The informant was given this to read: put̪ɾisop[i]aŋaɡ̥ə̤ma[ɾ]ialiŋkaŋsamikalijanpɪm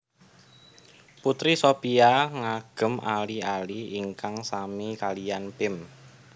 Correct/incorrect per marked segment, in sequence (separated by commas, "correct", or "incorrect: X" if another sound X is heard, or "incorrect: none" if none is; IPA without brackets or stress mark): correct, incorrect: l